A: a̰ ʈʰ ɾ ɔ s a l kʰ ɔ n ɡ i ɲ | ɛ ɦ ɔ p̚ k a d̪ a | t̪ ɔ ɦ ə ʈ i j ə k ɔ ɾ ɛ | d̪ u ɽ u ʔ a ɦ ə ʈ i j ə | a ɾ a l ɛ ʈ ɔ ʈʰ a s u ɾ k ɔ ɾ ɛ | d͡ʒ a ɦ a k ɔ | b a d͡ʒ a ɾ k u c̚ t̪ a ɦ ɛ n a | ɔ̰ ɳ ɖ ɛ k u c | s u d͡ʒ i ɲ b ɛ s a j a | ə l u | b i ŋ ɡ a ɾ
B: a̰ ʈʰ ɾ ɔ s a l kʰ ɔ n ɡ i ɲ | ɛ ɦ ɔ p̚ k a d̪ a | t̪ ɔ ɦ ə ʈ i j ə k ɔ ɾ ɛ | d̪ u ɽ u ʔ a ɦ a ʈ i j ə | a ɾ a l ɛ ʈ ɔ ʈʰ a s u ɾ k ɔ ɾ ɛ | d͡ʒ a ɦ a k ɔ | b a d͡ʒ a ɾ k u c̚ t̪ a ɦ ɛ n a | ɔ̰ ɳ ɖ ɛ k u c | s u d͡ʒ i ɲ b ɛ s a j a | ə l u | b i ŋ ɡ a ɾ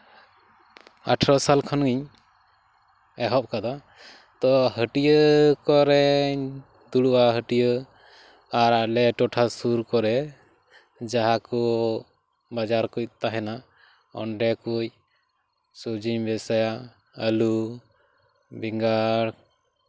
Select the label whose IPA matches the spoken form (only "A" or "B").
A